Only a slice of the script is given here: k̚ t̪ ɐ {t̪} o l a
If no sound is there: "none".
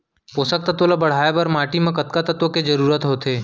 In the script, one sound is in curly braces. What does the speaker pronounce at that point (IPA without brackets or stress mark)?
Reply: t̪